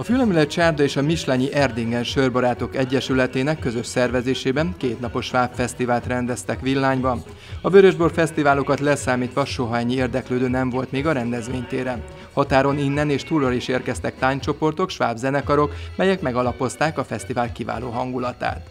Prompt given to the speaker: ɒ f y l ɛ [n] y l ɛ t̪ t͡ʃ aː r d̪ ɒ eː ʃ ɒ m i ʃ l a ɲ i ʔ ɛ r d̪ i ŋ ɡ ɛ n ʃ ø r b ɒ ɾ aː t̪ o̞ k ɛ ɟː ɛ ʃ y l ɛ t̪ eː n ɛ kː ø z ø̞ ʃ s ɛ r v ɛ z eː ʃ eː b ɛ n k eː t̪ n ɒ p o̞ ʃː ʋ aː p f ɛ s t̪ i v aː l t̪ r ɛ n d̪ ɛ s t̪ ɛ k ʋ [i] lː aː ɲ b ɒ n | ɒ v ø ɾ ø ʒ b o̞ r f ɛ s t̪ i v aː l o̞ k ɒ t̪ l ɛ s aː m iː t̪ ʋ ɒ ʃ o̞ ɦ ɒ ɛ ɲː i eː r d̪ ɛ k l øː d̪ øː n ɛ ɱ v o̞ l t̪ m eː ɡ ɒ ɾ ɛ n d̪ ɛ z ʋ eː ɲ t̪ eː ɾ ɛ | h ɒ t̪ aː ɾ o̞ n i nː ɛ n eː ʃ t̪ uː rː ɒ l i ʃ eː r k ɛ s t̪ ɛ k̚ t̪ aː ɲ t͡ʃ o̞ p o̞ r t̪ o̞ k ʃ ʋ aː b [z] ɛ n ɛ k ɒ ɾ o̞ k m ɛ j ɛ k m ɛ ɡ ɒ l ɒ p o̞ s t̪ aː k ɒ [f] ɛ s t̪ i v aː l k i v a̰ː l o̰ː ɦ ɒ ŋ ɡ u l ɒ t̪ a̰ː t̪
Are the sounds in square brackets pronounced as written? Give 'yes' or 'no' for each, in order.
no, yes, yes, yes

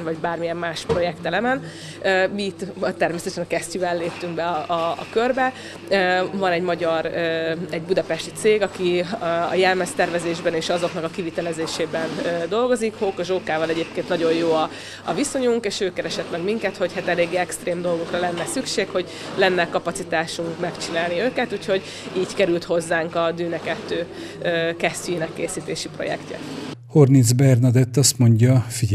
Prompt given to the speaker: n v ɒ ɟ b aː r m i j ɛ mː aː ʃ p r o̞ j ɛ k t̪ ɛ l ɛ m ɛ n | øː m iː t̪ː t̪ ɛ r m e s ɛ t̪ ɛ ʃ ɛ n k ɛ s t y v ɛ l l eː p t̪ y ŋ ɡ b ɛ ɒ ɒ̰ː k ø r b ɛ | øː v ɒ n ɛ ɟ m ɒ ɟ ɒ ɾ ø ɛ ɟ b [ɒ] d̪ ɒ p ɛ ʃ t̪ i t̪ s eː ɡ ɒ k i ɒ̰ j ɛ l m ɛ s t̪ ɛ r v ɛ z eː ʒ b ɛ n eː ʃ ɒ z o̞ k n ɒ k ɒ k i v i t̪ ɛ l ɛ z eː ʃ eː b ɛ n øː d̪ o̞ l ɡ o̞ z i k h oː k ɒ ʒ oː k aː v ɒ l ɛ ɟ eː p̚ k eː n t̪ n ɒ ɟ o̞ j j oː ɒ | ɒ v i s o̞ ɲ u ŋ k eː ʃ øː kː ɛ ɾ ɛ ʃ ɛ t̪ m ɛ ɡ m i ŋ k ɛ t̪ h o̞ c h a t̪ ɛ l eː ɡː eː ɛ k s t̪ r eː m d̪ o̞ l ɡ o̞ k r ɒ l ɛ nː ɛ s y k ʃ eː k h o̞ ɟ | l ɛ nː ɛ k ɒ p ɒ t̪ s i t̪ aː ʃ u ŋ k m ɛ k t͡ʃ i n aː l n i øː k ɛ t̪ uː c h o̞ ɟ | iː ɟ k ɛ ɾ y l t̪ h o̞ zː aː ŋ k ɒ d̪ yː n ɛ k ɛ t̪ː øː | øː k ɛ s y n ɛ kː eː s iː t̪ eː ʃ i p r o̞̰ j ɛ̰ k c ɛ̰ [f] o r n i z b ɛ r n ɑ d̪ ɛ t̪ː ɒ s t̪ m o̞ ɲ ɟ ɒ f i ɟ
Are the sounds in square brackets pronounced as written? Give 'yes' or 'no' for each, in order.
no, no

